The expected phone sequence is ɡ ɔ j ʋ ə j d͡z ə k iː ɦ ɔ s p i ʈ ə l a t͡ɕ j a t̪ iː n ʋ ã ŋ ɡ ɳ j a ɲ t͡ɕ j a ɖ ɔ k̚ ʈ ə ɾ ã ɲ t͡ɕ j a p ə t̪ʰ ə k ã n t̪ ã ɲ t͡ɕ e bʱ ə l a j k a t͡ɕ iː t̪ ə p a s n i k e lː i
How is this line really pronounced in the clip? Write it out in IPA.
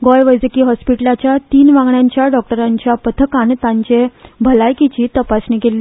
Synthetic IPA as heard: ɡ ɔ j ʋ ə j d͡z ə k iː ɦ ɔ s p i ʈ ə l a t͡ɕ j a t̪ iː n ʋ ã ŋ ɡ ɳ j a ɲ t͡ɕ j a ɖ ɔ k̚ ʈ ə ɾ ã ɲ t͡ɕ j a p ə t̪ʰ ə k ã n t̪ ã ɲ t͡ɕ e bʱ ə l a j k i t͡ɕ iː t̪ ə p a s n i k e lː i